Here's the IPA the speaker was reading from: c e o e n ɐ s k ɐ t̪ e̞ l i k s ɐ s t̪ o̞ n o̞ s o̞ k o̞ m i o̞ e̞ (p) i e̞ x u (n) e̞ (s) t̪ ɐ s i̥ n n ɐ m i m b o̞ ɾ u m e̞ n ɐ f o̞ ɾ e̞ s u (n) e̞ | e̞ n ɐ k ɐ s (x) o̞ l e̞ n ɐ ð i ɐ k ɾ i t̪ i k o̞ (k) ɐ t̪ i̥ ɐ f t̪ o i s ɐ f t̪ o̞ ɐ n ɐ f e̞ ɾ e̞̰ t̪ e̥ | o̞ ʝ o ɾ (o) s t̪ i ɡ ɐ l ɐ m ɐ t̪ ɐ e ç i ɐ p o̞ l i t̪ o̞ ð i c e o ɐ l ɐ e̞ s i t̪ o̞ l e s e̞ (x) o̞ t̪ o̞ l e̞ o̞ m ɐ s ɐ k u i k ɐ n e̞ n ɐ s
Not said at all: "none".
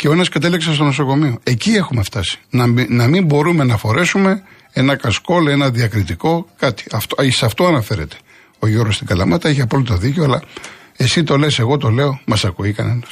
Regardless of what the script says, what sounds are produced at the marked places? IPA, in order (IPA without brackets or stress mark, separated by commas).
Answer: c, m, f, m, k, k, o, ɣ